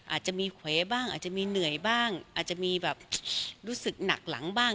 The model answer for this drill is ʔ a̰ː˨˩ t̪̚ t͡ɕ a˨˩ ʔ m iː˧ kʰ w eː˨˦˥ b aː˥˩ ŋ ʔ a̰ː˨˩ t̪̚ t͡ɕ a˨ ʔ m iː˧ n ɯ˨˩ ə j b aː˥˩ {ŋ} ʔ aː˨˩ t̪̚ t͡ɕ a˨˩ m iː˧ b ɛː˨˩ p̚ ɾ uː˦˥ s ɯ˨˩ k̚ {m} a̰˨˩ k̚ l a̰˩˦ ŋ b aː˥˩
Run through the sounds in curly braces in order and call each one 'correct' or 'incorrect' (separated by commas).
correct, incorrect